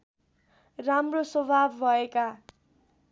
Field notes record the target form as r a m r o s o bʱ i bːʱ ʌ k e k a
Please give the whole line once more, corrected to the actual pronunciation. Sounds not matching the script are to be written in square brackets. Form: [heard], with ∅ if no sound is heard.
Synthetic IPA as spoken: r a m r o s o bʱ [a] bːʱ ʌ [∅] e k a